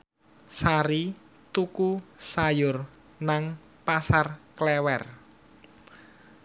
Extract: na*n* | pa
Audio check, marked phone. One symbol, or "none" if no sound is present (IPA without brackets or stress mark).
ŋ